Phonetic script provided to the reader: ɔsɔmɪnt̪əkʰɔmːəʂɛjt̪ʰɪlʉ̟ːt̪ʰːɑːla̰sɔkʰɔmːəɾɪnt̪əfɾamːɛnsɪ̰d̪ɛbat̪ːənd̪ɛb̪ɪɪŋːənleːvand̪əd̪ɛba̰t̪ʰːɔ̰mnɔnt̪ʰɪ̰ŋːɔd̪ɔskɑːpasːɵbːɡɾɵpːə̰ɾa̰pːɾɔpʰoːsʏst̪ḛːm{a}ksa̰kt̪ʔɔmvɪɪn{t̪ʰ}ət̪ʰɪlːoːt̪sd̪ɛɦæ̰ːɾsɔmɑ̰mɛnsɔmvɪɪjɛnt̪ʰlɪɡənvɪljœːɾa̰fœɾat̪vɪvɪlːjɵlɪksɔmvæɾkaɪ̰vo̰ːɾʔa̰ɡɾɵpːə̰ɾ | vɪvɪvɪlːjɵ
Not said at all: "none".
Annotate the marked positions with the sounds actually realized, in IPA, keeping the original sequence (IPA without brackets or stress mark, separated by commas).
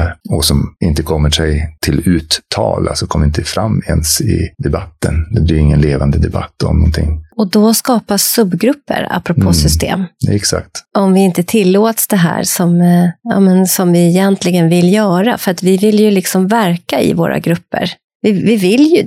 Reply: ɛ, t̪